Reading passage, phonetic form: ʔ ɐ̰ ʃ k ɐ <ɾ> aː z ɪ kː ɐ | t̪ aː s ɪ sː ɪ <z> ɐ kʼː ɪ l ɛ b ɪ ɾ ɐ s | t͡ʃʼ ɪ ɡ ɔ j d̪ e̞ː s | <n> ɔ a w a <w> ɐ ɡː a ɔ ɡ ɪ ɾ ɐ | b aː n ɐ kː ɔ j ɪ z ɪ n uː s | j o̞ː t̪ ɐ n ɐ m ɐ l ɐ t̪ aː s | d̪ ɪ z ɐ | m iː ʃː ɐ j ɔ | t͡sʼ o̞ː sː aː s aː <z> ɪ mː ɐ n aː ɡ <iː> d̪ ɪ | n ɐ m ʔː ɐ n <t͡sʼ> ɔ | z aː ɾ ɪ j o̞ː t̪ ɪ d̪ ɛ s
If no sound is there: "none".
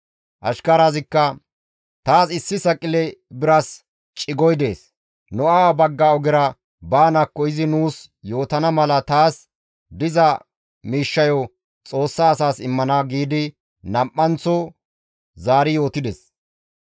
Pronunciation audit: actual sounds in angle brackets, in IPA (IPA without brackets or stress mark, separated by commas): ɾ, s, n, b, s, iː, t͡s